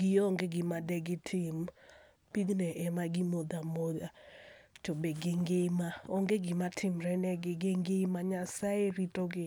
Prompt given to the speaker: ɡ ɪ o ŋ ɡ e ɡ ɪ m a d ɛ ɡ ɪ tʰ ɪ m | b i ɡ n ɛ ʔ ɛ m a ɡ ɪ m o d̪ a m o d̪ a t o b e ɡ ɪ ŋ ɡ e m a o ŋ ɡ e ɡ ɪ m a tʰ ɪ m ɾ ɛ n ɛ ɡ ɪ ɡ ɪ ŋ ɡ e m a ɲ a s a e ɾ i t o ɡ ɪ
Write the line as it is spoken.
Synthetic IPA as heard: ɡ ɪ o ŋ ɡ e ɡ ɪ m a d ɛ ɡ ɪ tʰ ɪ m | p i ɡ n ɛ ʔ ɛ m a ɡ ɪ m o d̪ a m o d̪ a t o b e ɡ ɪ ŋ ɡ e m a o ŋ ɡ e ɡ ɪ m a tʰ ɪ m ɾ ɛ n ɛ ɡ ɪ ɡ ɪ ŋ ɡ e m a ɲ a s a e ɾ i t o ɡ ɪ